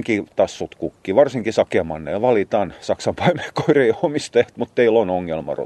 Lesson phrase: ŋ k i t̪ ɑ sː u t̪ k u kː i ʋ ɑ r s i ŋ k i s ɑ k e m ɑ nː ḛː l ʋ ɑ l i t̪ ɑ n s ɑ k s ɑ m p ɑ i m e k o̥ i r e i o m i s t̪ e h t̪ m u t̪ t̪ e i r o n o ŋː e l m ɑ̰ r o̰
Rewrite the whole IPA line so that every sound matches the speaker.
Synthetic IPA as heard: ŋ k i t̪ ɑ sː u t̪ k u kː i ʋ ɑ r s i ŋ k i s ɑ k e m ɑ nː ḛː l ʋ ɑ l i t̪ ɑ n s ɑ k s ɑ m p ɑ i m e k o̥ i r e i o m i s t̪ e h t̪ m u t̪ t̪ e i l o n o ŋː e l m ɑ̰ r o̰